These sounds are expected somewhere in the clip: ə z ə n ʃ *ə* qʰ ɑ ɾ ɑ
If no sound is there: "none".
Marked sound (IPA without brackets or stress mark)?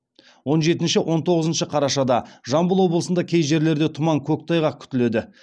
ə